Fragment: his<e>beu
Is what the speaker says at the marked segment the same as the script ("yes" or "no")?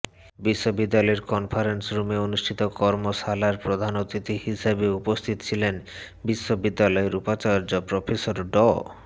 no